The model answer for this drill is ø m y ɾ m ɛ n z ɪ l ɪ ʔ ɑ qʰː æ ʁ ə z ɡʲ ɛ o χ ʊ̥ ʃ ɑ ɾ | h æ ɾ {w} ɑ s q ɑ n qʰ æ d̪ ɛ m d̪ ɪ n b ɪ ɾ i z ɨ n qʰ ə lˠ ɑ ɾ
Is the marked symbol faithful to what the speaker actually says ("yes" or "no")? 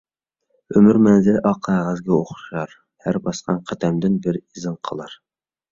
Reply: no